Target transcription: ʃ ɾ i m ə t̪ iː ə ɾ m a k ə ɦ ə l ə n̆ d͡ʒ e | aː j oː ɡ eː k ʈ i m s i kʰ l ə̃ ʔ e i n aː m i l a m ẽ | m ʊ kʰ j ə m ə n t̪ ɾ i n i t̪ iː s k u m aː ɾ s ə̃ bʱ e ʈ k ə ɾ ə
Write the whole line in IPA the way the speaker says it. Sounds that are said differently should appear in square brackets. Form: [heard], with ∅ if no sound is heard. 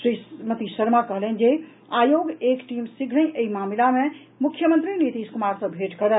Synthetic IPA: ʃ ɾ i m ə t̪ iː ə ɾ m a k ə ɦ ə l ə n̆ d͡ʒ e | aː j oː ɡ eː k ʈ i m s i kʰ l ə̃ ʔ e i [m] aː m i l a m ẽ | m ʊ kʰ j ə m ə n t̪ ɾ i n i t̪ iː s k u m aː ɾ s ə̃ bʱ e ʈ k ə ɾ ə